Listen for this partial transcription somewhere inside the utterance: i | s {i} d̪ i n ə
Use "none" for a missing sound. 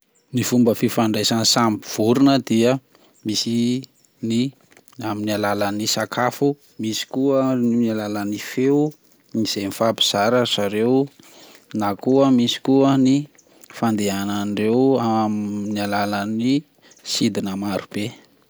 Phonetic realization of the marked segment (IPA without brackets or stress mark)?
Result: i